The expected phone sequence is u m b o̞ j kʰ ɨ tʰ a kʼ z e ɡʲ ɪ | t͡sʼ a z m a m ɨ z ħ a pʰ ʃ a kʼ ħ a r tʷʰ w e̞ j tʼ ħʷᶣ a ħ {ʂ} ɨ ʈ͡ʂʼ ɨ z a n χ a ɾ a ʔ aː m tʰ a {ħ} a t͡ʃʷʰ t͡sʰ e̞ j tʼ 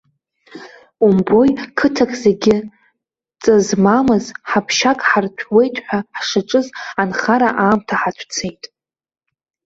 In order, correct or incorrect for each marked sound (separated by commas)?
correct, correct